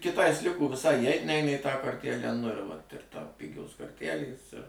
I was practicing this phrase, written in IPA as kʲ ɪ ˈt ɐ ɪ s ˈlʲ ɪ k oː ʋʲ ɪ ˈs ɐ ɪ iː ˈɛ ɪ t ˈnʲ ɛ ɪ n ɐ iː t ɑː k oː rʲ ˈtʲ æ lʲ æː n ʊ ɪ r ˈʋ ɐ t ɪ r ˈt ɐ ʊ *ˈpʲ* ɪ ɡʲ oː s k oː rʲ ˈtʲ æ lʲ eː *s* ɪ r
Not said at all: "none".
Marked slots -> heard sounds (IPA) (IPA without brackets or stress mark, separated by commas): pʲ, s